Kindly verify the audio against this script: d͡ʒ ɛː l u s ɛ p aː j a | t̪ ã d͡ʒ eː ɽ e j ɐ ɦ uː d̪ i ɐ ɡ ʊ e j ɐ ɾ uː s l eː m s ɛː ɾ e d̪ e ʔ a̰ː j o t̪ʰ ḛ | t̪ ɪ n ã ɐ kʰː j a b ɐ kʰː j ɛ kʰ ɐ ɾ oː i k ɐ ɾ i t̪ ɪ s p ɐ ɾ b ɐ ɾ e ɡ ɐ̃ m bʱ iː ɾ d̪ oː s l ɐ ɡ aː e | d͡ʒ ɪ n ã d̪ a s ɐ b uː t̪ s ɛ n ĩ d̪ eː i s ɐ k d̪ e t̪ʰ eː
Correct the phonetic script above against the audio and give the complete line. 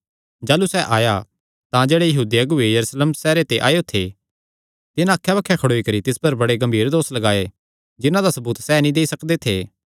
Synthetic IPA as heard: d͡ʒ aː l u s ɛ ʔ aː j a | t̪ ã d͡ʒ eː ɽ e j ɐ ɦ uː d̪ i ɐ ɡ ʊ e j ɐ ɾ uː s l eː m s ɛː ɾ e t̪ e ʔ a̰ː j o t̪ʰ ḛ | t̪ ɪ n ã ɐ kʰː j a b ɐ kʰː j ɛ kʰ ɐ ɽ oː i k ɐ ɾ i t̪ ɪ s p ɐ ɾ b ɐ ɽ e ɡ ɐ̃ m bʱ iː ɾ d̪ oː s l ɐ ɡ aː e | d͡ʒ ɪ n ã d̪ a s ɐ b uː t̪ s ɛ n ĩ d̪ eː i s ɐ k d̪ e t̪ʰ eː

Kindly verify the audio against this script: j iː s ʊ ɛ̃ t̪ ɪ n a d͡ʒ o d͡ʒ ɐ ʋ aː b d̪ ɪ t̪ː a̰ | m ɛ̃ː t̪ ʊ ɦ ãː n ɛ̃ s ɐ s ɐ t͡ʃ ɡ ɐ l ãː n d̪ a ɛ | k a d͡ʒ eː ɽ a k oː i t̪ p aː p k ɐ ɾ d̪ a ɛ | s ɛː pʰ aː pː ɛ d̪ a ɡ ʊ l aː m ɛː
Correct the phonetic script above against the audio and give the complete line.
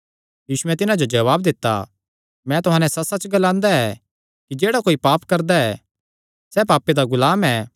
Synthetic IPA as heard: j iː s ʊ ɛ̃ t̪ ɪ n a d͡ʒ o d͡ʒ ɐ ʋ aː b d̪ ɪ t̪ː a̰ | m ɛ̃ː t̪ ʊ ɦ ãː n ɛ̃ s ɐ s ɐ t͡ʃ ɡ ɐ l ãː n d̪ a ɛ | k i d͡ʒ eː ɽ a k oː i p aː p k ɐ ɾ d̪ a ɛ | s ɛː p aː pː e d̪ a ɡ ʊ l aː m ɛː

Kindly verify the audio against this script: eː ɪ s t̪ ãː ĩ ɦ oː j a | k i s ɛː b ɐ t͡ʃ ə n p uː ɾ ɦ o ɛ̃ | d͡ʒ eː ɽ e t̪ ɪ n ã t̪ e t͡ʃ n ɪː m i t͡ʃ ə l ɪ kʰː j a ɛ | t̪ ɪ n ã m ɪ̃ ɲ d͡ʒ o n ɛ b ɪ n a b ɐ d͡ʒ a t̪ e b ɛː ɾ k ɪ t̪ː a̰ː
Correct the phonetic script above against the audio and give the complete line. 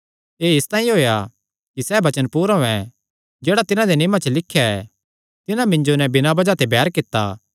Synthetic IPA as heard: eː ɪ s t̪ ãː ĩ ɦ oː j a | k i s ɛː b ɐ t͡ʃ ə n p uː ɾ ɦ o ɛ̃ | d͡ʒ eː ɽ a t̪ ɪ n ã d̪ e n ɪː m a t͡ʃ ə l ɪ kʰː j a ɛ | t̪ ɪ n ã m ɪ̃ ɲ d͡ʒ o n ɛ b ɪ n a b ɐ d͡ʒ a t̪ e b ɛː ɾ k ɪ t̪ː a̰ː

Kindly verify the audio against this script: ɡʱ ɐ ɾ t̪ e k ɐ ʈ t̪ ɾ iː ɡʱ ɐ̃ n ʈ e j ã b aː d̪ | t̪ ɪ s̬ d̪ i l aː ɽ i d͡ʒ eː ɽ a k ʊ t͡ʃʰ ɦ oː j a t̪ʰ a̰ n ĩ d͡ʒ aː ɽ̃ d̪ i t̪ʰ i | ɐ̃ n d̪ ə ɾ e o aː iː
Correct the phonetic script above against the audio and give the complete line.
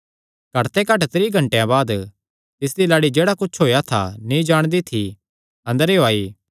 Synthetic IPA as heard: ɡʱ ɐ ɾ t̪ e k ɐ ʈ t̪ ɾ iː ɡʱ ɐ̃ ɳ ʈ e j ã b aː d̪ | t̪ ɪ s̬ d̪ i l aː ɽ i d͡ʒ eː ɽ a k ʊ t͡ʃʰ ɦ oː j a t̪ʰ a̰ n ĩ d͡ʒ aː ɽ̃ d̪ i t̪ʰ i | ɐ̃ n d̪ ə ɾ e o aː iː

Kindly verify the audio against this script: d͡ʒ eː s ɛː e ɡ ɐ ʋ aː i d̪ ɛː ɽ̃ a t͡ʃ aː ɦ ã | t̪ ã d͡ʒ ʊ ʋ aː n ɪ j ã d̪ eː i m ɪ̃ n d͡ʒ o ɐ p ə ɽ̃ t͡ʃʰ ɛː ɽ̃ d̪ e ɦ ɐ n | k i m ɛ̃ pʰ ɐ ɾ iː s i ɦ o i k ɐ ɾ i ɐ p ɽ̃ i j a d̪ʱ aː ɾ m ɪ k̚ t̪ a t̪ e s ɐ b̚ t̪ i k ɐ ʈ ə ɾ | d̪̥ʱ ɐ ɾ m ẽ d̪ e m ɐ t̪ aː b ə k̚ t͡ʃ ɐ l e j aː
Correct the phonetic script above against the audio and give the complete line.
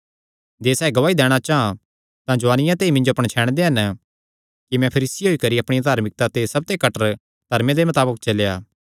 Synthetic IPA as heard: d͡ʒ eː s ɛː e ɡ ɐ ʋ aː i d̪ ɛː ɽ̃ a t͡ʃ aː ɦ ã | t̪ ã d͡ʒ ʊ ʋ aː n ɪ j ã t̪ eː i m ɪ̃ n d͡ʒ o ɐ p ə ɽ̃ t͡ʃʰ ɛː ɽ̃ d̪ e ɦ ɐ n | k i m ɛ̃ pʰ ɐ ɾ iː s i ɦ o i k ɐ ɾ i ɐ p ɽ̃ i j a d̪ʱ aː ɾ m ɪ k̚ t̪ a t̪ e s ɐ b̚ t̪ e k ɐ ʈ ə ɾ | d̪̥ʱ ɐ ɾ m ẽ d̪ e m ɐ t̪ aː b ə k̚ t͡ʃ ɐ l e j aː

